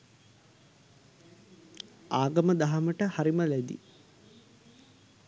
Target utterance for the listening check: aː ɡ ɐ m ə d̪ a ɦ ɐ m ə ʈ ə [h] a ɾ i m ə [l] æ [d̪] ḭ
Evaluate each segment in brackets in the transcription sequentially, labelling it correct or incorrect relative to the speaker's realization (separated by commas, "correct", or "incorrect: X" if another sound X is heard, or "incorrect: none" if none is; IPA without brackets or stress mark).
correct, correct, correct